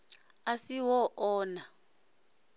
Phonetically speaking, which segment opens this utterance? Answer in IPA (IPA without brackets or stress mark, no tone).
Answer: a